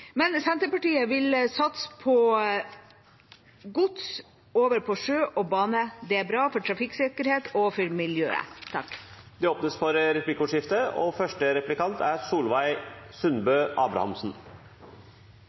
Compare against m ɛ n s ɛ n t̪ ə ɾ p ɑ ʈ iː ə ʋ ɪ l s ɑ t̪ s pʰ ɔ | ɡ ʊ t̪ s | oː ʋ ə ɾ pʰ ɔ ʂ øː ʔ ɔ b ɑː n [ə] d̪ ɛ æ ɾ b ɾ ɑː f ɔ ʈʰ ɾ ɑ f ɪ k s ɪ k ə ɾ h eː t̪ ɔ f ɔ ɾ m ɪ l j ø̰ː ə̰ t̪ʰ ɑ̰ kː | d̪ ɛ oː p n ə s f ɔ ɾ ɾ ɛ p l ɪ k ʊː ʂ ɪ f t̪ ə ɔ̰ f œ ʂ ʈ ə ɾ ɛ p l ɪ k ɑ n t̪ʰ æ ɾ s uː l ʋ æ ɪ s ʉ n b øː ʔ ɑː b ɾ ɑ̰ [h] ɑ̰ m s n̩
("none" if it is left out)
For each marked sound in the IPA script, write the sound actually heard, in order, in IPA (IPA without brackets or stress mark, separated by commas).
ə, h